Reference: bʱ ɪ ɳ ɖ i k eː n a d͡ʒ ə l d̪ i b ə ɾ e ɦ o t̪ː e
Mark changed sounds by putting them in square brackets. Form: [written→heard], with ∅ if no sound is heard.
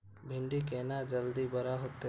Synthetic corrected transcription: bʱ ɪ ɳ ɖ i k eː n a d͡ʒ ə l d̪ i b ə ɾ [e→a] ɦ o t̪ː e

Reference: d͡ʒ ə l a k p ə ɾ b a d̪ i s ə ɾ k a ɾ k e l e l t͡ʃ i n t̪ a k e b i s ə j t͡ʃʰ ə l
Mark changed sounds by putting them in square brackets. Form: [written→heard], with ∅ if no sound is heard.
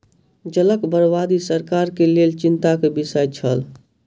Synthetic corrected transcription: d͡ʒ ə l [a→ə] k [p→b] ə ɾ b a d̪ i s ə ɾ k a ɾ k e l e l t͡ʃ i n t̪ a k e b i s ə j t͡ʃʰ ə l

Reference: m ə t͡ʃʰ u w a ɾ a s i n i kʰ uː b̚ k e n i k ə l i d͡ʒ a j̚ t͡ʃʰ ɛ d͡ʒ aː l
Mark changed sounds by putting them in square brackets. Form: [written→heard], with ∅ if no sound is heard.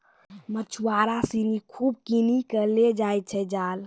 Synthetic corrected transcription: m ə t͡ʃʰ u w a ɾ a s i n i kʰ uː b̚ k [e→i] n i k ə l [i→e] d͡ʒ a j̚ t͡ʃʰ ɛ d͡ʒ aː l

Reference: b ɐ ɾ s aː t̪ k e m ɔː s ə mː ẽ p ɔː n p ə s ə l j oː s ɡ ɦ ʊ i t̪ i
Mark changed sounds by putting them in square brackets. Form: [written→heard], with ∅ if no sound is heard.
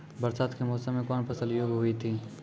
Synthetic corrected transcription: b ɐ ɾ s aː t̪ k e m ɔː s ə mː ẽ [p→k] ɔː n p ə s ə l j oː [s→∅] ɡ ɦ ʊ i [t̪→t̪ʰ] i

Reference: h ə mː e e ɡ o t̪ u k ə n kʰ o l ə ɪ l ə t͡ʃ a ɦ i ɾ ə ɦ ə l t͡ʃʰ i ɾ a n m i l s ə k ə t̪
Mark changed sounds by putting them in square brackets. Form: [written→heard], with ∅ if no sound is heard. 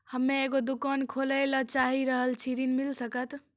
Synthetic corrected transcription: h ə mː e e ɡ o [t̪→d̪] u k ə n kʰ o l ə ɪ l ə t͡ʃ a ɦ i ɾ ə ɦ ə l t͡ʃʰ i ɾ [a→i] n m i l s ə k ə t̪

